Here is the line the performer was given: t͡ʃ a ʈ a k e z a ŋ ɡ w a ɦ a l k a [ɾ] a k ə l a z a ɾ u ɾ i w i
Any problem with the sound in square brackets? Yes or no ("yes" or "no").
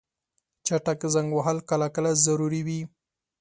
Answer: yes